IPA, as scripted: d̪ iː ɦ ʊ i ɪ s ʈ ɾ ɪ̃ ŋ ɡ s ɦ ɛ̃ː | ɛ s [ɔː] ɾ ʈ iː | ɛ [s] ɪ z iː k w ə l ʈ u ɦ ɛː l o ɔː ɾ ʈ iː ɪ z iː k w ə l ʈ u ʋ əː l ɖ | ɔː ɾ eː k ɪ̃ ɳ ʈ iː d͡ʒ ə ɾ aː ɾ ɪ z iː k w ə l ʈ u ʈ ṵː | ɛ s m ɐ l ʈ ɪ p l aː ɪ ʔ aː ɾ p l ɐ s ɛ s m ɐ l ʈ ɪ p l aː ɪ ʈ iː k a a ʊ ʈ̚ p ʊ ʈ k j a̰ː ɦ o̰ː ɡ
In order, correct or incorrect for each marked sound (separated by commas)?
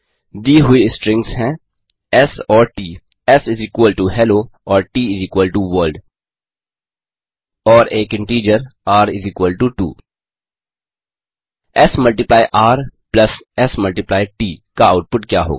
correct, correct